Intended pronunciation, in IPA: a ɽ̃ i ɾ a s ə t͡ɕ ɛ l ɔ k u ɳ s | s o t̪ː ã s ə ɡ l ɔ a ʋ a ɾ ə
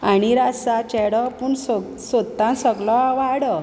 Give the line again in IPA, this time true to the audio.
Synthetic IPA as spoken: a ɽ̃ i ɾ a s a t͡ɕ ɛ ɽ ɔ p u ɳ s | s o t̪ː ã s ə ɡ l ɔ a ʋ a ɽ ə